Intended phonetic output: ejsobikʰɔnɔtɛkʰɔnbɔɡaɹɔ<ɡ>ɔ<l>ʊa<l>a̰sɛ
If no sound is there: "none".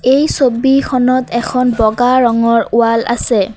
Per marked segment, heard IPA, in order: ŋ, ɹ, l

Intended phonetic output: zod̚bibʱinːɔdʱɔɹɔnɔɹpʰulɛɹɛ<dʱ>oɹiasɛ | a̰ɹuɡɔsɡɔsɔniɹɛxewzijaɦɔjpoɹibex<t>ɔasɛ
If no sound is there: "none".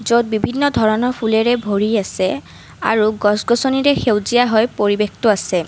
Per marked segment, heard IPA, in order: bʱ, t

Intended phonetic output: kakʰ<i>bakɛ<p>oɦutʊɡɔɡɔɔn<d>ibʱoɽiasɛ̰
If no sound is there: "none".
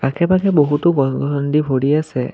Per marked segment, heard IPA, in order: ɛ, b, d

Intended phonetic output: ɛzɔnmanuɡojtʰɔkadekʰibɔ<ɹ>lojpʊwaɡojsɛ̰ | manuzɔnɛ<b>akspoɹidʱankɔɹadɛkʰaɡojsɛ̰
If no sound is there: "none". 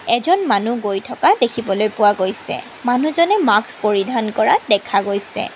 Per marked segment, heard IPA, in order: none, m

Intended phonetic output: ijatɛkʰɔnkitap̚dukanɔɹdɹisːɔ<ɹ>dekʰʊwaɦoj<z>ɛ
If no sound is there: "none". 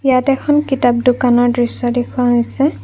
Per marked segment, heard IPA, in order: none, s

